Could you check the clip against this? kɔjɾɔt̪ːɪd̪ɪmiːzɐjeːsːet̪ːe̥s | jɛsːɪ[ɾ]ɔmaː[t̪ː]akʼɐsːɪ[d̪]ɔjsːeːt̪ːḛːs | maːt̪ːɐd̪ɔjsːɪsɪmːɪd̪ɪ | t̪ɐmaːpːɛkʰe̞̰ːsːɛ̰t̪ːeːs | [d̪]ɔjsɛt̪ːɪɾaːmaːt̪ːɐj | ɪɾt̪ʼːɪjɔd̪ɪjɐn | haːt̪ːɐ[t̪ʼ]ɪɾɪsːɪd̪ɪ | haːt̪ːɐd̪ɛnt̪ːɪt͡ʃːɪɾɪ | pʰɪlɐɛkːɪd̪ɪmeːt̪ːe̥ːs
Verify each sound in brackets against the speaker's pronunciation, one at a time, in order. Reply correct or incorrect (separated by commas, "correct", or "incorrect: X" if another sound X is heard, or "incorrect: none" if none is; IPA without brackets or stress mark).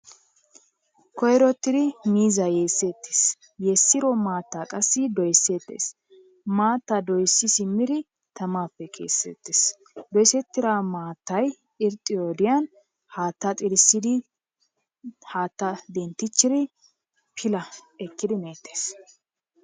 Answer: correct, correct, correct, correct, correct